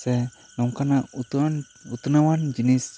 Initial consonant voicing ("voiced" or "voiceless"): voiceless